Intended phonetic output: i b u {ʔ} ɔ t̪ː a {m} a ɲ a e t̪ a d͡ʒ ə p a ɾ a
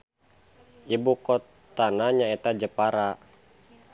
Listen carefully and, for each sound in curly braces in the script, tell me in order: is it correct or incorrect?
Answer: incorrect, incorrect

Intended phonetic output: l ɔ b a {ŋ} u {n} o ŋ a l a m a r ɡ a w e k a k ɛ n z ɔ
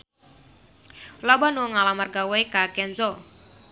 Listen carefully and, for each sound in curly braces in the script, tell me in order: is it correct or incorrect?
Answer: incorrect, incorrect

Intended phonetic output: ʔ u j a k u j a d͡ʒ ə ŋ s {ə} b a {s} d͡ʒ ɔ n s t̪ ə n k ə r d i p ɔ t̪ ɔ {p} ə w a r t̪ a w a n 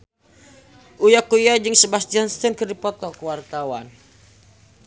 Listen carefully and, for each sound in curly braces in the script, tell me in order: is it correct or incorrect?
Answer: correct, correct, incorrect

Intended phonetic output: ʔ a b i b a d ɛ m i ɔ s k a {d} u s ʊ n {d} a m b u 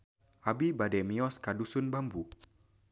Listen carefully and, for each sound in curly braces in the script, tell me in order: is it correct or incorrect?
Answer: correct, incorrect

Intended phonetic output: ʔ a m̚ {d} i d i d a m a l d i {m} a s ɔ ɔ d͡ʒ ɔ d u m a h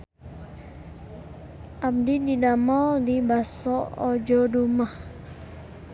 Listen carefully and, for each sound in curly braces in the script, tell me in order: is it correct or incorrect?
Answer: correct, incorrect

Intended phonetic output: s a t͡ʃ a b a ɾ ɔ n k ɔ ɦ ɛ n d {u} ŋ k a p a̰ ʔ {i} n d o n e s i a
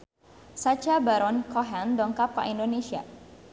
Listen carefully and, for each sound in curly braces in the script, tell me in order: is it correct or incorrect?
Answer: incorrect, correct

